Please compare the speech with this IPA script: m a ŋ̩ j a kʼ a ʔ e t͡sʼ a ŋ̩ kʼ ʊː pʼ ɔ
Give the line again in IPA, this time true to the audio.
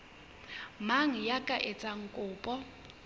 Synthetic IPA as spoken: m a ŋ̩ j a kʼ a ʔ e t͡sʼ a ŋ̩ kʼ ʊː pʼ ɔ

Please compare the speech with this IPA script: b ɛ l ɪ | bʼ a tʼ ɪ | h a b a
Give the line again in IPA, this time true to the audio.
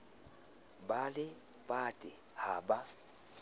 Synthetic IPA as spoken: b a l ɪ | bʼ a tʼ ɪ | h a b a

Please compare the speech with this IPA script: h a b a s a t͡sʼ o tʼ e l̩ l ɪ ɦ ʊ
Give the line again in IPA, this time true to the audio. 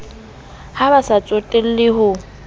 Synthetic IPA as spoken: h a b a s a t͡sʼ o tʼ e l̩ l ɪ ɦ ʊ

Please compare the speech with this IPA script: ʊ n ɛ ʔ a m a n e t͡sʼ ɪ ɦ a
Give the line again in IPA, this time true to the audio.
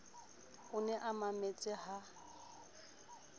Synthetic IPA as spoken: ʊ n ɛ ʔ a m a m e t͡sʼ ɪ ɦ a

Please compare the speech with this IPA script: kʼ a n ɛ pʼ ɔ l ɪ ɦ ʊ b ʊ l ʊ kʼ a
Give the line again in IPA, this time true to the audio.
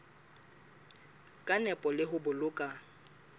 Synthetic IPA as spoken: kʼ a n ɛ pʼ ɔ l ɪ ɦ ʊ b ʊ l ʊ kʼ a

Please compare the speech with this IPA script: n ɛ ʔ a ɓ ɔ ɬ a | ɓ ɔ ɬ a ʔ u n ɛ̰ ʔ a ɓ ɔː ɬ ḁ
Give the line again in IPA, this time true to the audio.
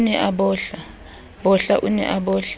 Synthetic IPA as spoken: n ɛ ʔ a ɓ ɔ ɬ a | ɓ ɔ ɬ a ʔ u n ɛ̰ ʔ a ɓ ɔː ɬ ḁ

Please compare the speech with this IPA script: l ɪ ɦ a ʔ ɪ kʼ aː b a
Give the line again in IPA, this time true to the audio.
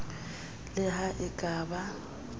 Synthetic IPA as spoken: l ɪ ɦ a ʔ ɪ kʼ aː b a

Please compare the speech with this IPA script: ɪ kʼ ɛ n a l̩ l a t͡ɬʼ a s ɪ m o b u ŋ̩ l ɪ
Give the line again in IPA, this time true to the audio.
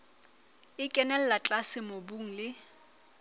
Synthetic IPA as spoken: ɪ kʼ ɛ n ɛ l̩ l a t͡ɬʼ a s ɪ m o b u ŋ̩ l ɪ

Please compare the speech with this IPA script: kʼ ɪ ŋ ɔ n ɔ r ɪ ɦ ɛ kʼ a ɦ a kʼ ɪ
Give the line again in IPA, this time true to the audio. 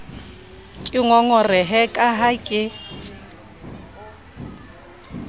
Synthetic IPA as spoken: kʼ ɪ ŋ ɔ ŋ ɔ r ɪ ɦ ɛ kʼ a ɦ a kʼ ɪ

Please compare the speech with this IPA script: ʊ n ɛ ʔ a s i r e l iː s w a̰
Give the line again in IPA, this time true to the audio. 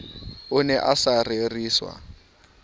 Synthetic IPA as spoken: ʊ n ɛ ʔ a s a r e r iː s w a̰

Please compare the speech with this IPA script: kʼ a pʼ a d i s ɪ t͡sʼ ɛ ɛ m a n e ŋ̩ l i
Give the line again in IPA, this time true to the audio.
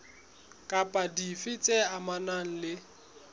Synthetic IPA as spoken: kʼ a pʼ a d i f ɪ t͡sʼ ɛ a m a n a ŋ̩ l ɪ

